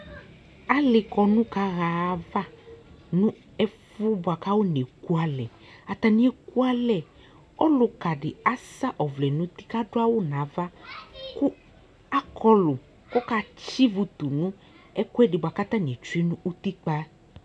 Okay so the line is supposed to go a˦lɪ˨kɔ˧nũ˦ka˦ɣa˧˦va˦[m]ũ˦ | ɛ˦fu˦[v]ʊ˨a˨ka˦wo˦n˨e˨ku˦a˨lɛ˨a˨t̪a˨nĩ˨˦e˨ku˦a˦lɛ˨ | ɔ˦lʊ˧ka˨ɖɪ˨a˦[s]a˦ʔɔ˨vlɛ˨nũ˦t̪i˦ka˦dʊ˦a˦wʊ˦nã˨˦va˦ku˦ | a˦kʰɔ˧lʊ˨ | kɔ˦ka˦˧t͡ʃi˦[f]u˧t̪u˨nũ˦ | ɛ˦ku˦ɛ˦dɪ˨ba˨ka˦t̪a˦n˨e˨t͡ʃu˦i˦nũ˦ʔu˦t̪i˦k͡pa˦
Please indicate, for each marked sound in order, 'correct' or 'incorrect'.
incorrect, incorrect, correct, incorrect

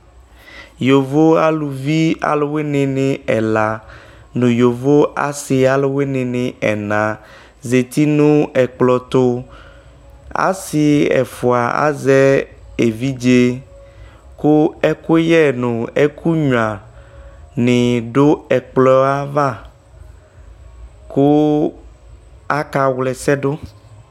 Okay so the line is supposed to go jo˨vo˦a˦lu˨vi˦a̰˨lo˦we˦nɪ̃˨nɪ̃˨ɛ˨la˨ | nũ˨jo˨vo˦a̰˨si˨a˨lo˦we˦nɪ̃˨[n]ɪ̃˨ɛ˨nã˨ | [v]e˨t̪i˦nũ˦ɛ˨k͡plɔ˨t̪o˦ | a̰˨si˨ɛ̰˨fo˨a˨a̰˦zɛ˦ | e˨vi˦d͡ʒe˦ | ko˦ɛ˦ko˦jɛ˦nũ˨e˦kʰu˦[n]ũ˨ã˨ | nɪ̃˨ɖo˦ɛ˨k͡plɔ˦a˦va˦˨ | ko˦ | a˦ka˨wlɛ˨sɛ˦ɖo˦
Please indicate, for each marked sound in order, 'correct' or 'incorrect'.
correct, incorrect, incorrect

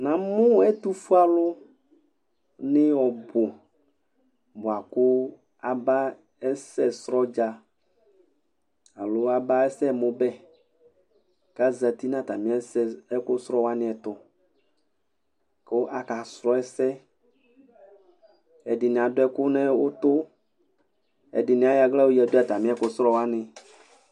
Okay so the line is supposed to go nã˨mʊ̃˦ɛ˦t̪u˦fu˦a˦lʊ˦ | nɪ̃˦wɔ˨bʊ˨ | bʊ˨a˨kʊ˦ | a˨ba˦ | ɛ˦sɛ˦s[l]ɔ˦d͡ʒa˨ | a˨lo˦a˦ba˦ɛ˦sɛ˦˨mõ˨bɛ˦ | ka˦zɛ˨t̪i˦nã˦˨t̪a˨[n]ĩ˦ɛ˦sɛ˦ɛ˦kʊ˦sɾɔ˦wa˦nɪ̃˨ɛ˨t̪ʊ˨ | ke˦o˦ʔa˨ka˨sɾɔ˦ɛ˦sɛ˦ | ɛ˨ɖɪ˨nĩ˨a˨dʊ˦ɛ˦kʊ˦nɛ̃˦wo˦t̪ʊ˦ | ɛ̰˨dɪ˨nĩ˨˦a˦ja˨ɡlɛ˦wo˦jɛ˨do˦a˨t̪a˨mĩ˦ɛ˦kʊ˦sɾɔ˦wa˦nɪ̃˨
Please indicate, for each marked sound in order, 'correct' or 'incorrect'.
incorrect, incorrect

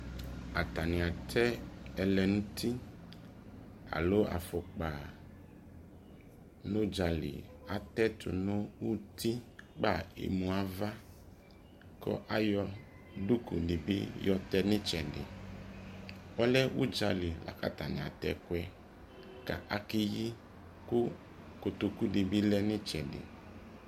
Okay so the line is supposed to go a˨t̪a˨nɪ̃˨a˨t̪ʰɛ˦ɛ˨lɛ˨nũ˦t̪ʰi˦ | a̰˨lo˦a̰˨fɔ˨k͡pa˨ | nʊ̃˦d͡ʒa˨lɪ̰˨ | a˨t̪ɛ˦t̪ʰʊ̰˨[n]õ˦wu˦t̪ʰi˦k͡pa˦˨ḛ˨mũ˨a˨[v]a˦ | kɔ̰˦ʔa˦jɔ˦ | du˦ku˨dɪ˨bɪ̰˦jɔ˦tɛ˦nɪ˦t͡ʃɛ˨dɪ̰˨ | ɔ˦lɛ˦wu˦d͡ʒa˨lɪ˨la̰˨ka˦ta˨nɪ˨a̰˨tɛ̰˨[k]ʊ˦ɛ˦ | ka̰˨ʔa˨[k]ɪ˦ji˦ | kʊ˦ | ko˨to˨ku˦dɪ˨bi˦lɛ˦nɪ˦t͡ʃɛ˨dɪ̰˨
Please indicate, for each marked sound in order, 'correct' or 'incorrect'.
correct, correct, correct, correct

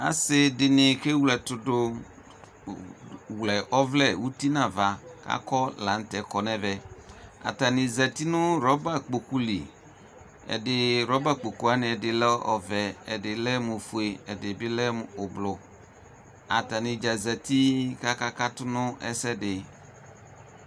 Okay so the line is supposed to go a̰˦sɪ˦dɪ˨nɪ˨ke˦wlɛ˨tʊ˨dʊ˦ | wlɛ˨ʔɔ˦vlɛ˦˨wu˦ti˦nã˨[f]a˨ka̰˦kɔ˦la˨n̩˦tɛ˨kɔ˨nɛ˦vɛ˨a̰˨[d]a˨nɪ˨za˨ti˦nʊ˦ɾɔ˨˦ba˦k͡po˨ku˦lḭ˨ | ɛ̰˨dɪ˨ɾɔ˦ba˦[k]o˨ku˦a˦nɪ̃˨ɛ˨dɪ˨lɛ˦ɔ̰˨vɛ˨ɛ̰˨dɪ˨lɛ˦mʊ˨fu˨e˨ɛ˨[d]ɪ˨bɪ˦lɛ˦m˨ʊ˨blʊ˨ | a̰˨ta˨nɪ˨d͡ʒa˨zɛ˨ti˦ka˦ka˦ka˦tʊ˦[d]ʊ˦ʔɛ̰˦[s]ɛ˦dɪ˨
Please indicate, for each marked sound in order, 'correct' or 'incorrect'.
incorrect, incorrect, incorrect, correct, incorrect, correct

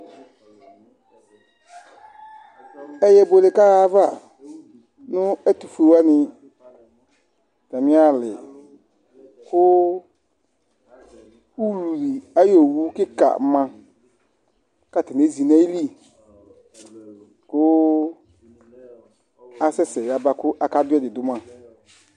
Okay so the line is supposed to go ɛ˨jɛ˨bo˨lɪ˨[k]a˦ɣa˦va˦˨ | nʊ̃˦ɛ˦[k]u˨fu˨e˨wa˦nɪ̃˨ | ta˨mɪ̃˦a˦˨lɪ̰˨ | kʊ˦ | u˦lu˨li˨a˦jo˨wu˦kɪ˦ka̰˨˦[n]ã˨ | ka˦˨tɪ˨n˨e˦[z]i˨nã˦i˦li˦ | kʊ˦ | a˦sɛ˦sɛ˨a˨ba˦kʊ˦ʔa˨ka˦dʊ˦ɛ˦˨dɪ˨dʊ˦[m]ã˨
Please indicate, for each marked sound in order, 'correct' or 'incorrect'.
correct, incorrect, incorrect, correct, correct

